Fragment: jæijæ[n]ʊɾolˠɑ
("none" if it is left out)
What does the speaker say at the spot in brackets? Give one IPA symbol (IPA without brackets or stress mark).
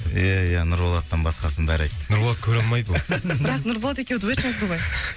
n